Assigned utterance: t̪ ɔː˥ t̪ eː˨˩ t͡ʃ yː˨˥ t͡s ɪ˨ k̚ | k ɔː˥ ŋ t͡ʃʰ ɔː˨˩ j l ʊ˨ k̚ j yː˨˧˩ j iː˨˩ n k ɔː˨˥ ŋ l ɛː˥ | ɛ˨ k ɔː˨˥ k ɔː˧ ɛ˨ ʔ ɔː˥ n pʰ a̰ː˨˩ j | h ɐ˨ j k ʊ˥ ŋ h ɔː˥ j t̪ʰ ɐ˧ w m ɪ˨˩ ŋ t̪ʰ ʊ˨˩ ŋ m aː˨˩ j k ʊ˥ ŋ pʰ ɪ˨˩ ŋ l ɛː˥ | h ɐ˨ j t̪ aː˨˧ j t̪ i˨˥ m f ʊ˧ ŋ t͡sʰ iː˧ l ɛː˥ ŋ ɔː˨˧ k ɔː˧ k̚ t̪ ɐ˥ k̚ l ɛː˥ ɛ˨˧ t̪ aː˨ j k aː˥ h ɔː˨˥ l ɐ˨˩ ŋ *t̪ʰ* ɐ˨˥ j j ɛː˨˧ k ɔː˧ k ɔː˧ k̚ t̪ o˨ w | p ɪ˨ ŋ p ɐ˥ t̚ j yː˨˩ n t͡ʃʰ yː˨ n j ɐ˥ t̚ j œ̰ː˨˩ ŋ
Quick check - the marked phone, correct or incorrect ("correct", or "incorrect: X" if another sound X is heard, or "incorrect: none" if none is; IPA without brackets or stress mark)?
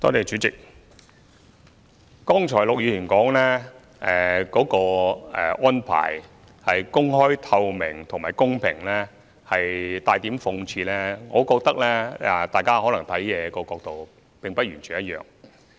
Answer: correct